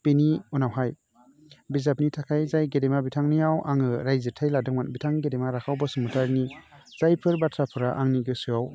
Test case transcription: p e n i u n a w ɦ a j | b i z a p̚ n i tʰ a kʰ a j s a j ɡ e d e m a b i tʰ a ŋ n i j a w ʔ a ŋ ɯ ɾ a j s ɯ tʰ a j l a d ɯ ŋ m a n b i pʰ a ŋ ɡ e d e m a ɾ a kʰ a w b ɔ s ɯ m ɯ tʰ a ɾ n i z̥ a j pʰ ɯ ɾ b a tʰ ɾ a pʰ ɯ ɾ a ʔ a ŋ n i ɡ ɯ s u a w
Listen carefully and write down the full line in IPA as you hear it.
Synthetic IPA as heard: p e n i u n a w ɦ a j | b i z a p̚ n i tʰ a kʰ a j z a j ɡ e d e m a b i tʰ a ŋ n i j a w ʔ a ŋ ɯ ɾ a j z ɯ tʰ a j l a d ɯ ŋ m a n b i tʰ a ŋ ɡ e d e m a ɾ a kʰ a w b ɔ s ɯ m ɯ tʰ a ɾ n i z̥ a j pʰ ɯ ɾ b a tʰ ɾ a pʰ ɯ ɾ a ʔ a ŋ n i ɡ ɯ s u a w